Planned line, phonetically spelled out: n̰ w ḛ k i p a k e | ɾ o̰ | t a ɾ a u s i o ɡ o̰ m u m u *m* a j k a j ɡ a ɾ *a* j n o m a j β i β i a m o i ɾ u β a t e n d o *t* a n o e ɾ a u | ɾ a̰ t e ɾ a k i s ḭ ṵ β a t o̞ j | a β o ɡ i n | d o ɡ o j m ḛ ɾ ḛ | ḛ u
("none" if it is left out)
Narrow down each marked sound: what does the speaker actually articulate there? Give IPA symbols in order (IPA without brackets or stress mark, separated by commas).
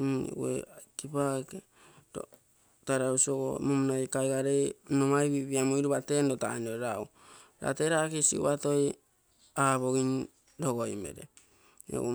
n, e, t